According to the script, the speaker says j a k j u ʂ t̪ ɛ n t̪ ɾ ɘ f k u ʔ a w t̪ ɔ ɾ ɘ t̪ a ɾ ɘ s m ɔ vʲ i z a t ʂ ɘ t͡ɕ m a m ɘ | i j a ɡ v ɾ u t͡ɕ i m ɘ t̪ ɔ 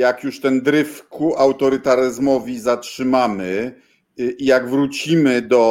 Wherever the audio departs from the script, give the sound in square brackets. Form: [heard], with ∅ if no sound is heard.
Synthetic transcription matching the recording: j a k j u ʂ t̪ ɛ n [d̪] ɾ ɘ f k u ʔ a w t̪ ɔ ɾ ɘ t̪ a ɾ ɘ [z] m ɔ vʲ i z a t ʂ ɘ [∅] m a m ɘ | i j a ɡ v ɾ u t͡ɕ i m ɘ [d̪] ɔ